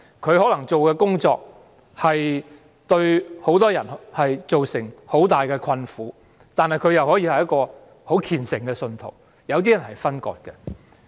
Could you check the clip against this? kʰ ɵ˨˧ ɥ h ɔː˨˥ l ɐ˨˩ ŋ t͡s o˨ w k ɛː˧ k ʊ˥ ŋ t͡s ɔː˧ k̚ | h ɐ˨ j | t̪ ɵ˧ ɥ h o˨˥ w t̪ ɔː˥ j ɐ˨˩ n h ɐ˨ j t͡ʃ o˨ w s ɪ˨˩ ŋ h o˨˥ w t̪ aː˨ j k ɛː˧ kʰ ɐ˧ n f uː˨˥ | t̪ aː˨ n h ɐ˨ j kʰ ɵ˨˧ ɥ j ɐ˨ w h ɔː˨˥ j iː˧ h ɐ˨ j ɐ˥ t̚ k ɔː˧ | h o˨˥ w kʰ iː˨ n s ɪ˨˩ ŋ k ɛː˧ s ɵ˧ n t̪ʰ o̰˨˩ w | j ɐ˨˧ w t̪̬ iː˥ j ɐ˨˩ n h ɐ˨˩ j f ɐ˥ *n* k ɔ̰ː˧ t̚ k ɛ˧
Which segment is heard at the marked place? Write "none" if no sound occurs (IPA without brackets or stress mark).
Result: n